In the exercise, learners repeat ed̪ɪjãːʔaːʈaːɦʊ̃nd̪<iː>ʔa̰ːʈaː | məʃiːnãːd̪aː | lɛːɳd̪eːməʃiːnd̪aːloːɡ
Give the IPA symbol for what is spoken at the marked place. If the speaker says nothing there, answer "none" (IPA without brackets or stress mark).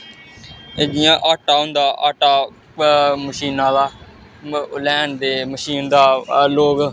aː